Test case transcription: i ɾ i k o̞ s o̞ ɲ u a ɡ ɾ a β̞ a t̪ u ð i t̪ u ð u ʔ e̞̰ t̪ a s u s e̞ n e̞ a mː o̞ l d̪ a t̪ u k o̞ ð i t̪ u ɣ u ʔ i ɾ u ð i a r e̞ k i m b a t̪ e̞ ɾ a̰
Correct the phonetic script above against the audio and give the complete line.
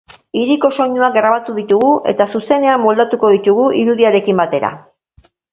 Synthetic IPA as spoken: i ɾ i k o̞ s o̞ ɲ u a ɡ ɾ a β̞ a t̪ u ð i t̪ u ɣ u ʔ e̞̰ t̪ a s u s e̞ n e̞ a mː o̞ l d̪ a t̪ u k o̞ ð i t̪ u ɣ u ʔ i ɾ u ð i a ɾ e̞ k i m b a t̪ e̞ ɾ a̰